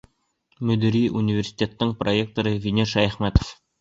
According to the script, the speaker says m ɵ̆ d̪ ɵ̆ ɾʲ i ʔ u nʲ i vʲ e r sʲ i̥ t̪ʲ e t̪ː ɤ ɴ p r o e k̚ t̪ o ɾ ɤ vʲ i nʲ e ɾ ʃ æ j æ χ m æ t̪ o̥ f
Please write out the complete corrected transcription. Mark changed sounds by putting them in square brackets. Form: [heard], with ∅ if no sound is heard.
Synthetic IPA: m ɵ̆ d̪ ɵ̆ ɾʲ i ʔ u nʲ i vʲ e r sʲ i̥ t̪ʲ e t̪ː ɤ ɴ p r o e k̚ t̪ o ɾ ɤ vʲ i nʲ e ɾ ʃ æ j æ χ m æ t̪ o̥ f